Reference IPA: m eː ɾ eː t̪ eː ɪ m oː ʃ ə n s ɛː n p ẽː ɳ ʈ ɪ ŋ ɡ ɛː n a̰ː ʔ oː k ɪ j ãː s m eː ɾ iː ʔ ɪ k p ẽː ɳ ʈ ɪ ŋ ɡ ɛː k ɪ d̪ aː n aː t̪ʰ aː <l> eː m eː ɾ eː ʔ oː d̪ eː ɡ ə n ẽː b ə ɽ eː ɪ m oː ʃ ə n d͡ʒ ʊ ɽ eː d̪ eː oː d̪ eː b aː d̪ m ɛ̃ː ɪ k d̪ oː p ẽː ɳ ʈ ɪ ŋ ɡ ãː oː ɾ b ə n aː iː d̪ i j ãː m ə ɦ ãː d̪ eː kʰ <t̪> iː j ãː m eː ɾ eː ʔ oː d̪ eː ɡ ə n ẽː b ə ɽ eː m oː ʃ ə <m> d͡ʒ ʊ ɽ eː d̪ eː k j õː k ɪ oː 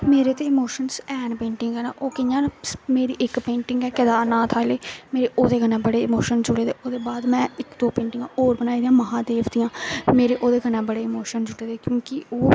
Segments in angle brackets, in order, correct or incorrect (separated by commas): correct, incorrect, incorrect